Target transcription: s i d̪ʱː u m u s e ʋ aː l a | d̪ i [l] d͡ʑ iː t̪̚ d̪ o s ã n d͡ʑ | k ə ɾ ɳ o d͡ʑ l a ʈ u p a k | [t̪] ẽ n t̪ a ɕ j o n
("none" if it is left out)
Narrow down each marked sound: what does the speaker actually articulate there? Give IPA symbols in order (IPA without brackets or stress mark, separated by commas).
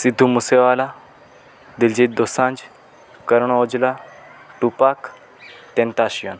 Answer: l, t̪